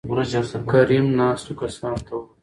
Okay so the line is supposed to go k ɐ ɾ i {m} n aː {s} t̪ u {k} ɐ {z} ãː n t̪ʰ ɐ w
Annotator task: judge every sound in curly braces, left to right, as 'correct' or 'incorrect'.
correct, correct, correct, incorrect

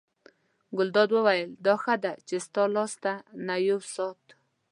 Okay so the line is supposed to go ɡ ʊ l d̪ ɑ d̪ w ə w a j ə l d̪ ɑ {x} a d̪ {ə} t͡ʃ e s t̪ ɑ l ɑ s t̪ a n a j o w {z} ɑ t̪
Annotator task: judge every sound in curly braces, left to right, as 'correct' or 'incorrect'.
correct, incorrect, incorrect

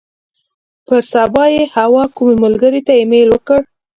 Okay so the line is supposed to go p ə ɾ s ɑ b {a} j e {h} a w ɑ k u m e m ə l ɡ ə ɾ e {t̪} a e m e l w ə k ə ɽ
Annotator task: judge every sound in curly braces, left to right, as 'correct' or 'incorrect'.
incorrect, correct, correct

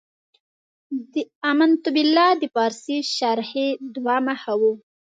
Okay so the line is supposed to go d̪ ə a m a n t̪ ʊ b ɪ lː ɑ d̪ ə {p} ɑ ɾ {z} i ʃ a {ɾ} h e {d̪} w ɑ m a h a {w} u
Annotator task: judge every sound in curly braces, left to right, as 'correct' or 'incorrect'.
correct, incorrect, correct, correct, correct

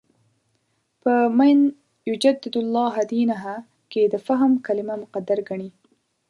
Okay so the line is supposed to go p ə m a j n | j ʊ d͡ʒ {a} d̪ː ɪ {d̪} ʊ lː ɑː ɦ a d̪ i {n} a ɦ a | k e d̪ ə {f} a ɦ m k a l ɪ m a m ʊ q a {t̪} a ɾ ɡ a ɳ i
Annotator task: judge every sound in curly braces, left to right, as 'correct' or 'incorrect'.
correct, correct, correct, correct, incorrect

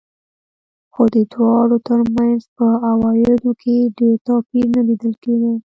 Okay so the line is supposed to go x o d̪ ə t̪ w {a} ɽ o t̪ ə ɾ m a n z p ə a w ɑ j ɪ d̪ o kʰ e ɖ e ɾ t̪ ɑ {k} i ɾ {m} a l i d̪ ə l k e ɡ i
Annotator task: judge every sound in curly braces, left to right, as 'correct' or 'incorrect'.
incorrect, incorrect, incorrect

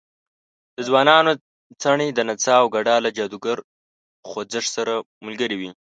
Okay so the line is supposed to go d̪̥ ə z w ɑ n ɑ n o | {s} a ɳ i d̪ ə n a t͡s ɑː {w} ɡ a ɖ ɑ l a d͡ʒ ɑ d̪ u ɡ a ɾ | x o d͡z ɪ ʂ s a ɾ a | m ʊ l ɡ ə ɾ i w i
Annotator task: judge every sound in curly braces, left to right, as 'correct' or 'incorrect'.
incorrect, correct

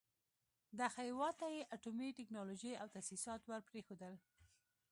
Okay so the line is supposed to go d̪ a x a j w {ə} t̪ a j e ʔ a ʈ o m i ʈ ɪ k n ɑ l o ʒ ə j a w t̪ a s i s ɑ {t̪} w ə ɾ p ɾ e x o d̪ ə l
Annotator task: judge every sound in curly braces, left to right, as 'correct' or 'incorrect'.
incorrect, correct

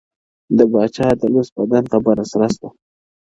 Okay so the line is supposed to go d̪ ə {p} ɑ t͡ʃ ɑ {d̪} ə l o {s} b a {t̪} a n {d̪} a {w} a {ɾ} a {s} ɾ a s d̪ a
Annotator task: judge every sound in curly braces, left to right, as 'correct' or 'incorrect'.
incorrect, correct, correct, incorrect, incorrect, incorrect, correct, correct

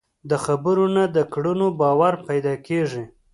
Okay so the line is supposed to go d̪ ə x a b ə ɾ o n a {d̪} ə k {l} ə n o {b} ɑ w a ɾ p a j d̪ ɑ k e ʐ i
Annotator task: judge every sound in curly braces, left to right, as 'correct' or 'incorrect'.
correct, incorrect, correct

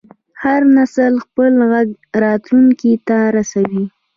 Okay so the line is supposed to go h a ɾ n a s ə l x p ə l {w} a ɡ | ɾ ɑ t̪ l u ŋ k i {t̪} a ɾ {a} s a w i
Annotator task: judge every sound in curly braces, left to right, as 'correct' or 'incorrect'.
incorrect, correct, correct

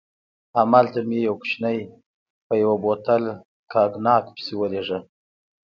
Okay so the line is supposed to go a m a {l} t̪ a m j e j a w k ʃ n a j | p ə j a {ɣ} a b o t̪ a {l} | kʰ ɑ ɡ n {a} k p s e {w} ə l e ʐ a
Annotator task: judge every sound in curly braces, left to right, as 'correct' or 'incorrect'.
correct, incorrect, correct, incorrect, correct

